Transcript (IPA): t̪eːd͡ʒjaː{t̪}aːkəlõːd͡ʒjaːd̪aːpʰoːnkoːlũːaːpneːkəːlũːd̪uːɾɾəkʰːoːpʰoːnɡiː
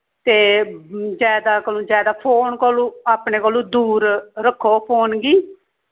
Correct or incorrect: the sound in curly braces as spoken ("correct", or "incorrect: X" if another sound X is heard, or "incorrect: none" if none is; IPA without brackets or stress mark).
incorrect: d̪